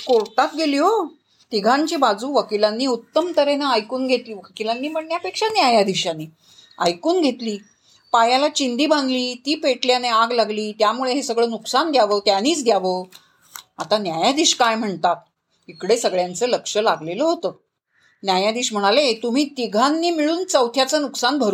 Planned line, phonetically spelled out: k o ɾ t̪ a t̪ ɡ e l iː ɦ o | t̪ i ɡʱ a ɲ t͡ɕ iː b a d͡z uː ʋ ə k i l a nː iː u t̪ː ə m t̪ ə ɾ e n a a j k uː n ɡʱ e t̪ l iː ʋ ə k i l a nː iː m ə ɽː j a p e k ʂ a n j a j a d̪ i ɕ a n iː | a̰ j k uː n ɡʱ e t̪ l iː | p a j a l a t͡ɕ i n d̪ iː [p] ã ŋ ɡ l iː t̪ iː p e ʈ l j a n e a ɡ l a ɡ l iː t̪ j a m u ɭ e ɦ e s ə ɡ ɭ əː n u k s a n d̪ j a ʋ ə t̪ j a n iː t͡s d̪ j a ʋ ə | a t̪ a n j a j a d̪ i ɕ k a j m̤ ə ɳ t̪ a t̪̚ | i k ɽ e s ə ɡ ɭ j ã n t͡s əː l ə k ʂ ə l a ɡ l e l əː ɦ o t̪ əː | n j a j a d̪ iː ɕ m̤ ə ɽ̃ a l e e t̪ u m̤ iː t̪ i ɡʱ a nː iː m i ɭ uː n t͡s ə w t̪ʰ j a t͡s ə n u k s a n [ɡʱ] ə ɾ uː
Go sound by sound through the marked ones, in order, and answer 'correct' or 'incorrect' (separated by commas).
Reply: incorrect, incorrect